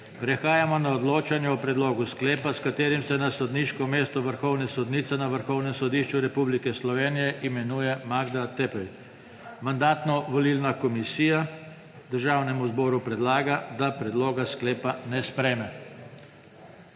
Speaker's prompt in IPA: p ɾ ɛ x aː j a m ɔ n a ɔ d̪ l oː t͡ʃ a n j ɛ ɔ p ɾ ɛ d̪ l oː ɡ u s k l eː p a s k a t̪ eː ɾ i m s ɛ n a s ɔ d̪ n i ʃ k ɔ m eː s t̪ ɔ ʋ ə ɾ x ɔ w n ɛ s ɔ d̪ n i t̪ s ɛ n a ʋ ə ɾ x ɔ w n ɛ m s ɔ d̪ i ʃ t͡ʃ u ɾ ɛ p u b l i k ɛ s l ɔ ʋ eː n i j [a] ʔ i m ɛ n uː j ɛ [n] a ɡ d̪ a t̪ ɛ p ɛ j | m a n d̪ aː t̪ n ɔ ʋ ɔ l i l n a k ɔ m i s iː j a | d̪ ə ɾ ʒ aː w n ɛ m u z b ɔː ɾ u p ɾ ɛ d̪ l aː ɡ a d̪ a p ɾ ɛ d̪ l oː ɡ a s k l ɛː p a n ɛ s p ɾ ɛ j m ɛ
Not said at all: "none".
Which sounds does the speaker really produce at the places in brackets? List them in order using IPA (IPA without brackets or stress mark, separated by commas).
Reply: ɛ, m